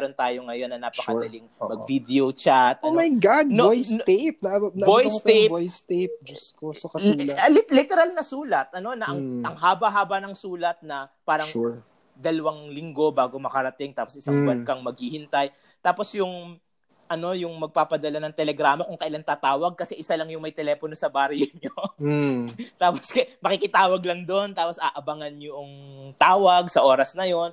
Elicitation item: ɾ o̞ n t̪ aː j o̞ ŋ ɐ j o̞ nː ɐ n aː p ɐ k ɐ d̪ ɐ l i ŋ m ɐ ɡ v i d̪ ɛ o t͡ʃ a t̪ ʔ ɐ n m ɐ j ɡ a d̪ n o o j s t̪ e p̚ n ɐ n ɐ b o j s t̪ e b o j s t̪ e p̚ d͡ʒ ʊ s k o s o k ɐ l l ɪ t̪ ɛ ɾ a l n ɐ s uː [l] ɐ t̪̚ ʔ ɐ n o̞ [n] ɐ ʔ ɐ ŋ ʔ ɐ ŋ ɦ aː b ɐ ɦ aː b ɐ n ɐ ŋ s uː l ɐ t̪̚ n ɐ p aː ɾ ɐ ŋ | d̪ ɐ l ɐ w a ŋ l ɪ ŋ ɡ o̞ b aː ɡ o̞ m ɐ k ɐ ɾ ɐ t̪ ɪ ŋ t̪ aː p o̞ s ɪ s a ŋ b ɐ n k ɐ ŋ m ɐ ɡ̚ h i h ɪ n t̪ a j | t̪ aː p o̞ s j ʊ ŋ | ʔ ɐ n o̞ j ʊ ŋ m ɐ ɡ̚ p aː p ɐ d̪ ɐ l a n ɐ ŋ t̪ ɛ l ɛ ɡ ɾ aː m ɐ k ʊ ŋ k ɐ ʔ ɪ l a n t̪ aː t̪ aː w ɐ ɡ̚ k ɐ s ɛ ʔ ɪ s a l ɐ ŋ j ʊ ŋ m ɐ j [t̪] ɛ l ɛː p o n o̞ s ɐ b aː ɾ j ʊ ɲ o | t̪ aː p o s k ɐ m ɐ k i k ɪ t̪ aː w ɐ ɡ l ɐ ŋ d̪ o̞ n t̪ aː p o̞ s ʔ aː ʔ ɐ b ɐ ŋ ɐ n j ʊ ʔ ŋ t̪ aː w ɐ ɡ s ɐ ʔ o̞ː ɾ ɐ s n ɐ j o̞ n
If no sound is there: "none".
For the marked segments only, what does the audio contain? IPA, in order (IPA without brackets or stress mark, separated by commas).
l, n, t̪